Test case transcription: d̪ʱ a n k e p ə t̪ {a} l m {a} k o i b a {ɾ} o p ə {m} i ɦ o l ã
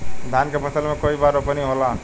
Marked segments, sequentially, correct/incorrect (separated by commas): incorrect, incorrect, correct, incorrect